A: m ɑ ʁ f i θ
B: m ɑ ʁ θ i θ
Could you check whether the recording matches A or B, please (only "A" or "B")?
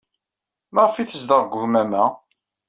A